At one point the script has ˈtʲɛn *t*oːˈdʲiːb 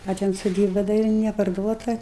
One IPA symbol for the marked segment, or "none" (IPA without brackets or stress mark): s